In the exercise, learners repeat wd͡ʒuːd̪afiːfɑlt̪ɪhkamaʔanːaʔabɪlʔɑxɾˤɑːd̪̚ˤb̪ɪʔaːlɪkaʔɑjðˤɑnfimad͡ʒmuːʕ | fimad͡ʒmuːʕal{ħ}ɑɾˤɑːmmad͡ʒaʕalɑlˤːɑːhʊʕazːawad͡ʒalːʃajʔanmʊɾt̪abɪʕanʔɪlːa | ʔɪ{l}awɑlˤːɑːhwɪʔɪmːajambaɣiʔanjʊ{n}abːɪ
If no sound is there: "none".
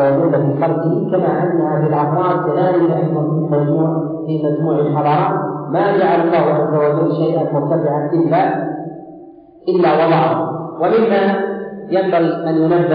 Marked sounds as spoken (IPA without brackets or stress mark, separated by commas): ħ, lː, n